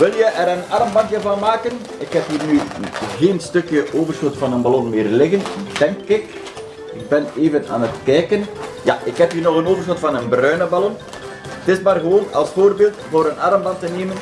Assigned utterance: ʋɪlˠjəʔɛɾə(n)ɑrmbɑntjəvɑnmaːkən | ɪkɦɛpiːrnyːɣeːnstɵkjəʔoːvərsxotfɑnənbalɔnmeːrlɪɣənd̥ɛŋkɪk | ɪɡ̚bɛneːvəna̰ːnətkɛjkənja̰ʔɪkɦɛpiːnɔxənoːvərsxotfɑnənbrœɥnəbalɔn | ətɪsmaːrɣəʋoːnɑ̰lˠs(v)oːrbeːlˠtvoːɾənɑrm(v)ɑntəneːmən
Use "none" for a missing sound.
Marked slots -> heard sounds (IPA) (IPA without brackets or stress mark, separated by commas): n, f, b